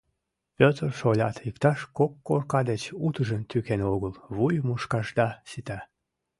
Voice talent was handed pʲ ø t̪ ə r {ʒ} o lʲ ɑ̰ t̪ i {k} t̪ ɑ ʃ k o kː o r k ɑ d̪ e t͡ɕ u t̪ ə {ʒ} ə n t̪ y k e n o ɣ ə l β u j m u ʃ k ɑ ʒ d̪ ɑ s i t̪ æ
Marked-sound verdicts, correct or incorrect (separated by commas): incorrect, correct, correct